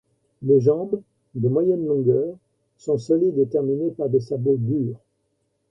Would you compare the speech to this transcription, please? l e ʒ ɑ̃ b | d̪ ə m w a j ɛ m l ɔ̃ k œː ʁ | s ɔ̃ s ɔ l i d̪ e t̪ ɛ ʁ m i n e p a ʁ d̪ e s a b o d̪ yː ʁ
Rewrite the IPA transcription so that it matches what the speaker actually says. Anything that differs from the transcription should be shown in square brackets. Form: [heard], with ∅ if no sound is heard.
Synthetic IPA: l e ʒ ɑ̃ b | d̪ ə m w a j ɛ [n] l ɔ̃ [ɡ] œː ʁ | s ɔ̃ s ɔ l i d̪ e t̪ ɛ ʁ m i n e p a ʁ d̪ e s a b o d̪ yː ʁ